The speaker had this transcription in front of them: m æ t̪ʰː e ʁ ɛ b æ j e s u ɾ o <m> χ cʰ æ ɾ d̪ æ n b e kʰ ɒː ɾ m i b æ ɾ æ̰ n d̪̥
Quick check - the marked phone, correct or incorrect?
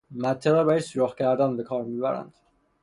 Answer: incorrect